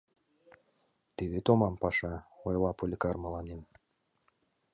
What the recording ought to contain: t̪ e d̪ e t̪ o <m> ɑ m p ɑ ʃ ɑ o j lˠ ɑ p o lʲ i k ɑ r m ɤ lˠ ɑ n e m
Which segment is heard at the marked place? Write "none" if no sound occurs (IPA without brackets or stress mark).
m